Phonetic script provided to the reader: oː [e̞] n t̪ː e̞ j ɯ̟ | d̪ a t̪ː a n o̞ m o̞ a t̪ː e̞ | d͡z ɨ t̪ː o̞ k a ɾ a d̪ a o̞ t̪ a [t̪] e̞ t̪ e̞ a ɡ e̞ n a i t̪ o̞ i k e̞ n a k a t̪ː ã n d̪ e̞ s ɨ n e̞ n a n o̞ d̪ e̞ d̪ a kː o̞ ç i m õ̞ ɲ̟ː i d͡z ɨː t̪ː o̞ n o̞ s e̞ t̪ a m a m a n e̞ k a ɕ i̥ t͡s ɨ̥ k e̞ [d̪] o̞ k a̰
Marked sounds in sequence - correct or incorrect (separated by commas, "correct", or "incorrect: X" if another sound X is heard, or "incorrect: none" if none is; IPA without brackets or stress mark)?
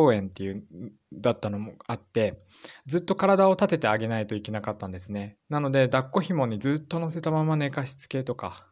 incorrect: ẽ̞, correct, incorrect: t̪